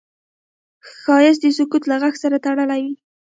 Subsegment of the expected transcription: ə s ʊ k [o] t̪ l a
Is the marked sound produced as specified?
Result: no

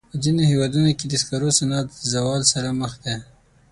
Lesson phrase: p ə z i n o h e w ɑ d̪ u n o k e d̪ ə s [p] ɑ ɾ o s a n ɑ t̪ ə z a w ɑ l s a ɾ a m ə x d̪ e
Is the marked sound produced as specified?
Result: no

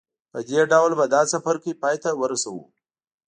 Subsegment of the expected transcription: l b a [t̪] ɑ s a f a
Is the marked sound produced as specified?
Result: no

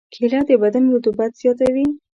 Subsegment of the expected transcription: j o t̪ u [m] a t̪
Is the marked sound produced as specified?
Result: no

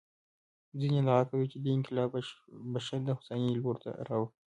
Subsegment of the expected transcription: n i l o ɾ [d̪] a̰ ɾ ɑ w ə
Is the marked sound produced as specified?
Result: no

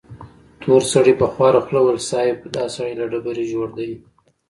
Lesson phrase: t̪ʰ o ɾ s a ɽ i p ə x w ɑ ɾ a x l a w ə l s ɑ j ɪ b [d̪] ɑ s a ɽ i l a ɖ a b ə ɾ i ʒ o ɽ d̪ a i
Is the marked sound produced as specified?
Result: yes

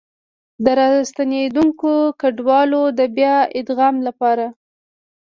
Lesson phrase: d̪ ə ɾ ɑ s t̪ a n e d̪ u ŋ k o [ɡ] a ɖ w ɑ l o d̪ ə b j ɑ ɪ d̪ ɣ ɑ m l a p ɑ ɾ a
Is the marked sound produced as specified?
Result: no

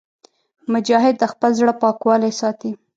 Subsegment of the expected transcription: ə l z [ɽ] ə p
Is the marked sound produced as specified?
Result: yes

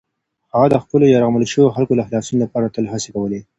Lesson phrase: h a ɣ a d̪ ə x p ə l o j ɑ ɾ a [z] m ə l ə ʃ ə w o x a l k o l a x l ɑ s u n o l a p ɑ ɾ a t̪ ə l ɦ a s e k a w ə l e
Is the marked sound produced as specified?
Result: no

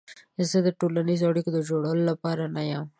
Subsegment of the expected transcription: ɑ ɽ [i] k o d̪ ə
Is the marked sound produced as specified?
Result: yes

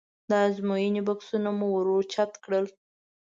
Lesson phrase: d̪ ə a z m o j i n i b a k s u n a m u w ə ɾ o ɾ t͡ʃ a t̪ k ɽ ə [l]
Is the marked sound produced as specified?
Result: yes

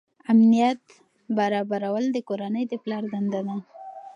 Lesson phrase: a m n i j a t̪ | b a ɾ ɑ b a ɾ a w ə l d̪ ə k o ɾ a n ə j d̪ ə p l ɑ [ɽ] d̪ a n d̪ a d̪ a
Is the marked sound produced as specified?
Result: no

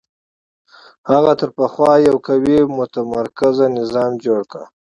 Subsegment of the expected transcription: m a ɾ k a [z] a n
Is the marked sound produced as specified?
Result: yes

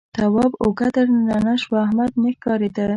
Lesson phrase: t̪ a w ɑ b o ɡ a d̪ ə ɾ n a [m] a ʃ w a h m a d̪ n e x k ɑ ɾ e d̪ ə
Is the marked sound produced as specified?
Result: no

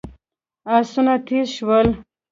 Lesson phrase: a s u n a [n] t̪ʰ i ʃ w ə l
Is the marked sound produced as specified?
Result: no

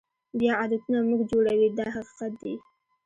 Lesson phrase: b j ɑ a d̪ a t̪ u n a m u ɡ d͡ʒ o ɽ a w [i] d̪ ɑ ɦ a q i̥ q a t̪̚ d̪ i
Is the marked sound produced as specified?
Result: yes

